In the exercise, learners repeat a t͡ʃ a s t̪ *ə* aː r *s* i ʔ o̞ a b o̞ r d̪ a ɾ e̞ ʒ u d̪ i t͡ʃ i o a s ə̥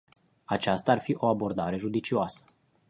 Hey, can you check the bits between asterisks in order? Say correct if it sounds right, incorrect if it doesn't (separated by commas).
incorrect, incorrect